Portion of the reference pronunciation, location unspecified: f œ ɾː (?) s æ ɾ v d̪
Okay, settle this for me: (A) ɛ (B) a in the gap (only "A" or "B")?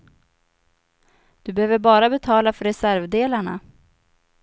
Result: A